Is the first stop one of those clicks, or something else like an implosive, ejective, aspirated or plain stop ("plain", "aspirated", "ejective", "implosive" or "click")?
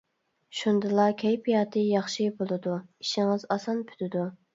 plain